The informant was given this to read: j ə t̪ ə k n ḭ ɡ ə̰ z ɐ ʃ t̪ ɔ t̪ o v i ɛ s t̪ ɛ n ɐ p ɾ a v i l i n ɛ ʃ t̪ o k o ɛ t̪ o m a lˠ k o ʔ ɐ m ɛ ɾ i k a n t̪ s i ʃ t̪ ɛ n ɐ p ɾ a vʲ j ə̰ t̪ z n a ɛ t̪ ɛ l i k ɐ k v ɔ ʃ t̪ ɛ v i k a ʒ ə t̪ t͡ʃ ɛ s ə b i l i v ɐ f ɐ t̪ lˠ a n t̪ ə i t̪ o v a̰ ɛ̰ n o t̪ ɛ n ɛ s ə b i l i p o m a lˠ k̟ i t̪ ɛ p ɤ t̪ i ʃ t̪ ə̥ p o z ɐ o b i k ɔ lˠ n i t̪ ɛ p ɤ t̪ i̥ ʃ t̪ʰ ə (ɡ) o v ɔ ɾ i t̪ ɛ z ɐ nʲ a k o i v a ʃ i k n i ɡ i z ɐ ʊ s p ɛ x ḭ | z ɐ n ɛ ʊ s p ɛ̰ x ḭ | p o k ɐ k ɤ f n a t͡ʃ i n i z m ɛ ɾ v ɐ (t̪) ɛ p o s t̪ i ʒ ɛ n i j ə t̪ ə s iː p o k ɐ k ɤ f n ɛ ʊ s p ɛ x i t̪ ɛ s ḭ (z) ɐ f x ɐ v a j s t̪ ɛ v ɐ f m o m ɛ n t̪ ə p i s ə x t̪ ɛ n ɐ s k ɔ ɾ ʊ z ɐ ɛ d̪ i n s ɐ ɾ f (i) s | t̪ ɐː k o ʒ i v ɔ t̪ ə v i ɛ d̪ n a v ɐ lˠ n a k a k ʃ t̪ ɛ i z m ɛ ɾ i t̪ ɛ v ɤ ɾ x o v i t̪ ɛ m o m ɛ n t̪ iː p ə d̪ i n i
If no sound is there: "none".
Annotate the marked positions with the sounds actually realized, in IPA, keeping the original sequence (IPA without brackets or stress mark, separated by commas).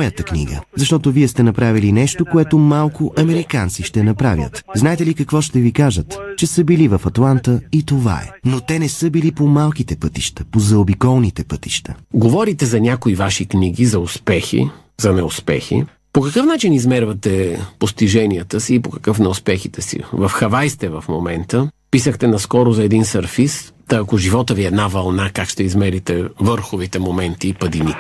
ɡ, t̪, v, i